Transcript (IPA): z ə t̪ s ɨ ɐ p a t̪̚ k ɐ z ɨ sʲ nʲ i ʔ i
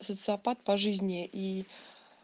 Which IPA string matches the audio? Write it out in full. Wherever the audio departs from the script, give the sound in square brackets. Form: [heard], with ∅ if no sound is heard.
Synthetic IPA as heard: [s] ə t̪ s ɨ ɐ p a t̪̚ [p] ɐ [ʐ] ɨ [zʲ] nʲ [ɪ] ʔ i